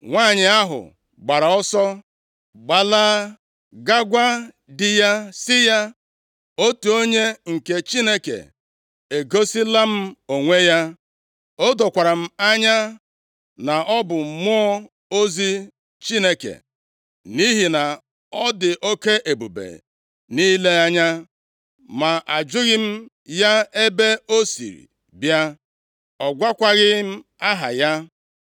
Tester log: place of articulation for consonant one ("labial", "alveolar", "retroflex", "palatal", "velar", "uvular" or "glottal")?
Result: velar